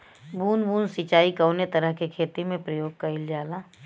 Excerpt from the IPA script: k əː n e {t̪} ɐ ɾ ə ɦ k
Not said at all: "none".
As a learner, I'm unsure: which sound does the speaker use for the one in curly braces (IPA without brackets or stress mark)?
t̪